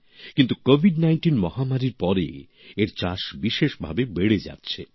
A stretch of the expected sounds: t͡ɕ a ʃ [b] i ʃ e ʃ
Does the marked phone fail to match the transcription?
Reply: no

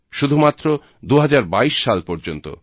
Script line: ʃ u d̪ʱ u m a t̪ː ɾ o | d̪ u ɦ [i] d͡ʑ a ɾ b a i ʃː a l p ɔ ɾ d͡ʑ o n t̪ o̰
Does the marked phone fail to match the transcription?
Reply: yes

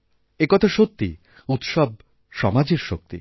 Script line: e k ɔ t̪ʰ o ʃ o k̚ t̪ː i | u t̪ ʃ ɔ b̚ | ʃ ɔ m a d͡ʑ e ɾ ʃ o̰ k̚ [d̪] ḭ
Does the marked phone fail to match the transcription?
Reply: yes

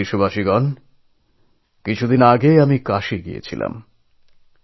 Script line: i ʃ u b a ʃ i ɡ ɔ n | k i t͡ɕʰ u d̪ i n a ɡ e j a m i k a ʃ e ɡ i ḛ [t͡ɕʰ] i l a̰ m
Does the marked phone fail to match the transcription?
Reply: no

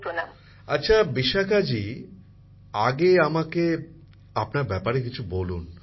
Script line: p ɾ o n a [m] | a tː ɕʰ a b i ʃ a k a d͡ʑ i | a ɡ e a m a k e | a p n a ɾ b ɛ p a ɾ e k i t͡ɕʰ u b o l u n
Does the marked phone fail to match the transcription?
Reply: no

